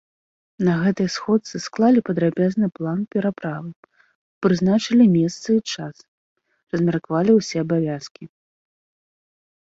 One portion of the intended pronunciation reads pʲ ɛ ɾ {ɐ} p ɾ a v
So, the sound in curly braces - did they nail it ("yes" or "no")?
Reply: no